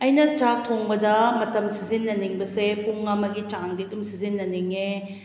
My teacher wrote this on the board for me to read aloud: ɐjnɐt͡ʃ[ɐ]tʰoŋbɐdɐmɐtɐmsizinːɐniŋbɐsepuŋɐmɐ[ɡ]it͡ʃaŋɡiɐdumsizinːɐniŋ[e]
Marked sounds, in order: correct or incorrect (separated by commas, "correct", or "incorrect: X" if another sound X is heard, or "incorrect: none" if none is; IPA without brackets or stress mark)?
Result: incorrect: a, correct, correct